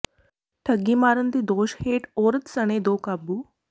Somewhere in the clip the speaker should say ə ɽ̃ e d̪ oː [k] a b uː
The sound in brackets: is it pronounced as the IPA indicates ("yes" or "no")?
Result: yes